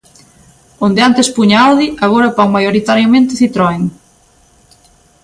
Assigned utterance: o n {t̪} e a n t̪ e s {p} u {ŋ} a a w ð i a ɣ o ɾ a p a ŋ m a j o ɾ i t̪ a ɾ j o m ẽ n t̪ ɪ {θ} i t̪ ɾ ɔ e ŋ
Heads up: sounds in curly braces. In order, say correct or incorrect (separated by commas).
incorrect, correct, incorrect, correct